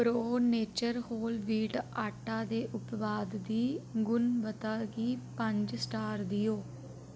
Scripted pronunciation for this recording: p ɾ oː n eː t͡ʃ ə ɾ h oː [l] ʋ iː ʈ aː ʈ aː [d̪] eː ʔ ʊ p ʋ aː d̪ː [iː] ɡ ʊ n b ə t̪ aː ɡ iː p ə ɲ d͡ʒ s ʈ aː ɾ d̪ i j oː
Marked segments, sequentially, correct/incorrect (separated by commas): correct, correct, correct